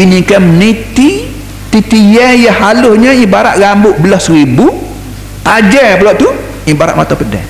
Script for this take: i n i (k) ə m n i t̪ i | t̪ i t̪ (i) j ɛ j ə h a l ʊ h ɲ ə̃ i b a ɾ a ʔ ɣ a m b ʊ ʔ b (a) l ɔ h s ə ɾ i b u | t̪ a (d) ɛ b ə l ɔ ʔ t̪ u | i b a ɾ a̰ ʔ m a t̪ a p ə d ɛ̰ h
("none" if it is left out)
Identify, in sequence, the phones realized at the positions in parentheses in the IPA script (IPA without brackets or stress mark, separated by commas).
k, i, ə, d͡ʒ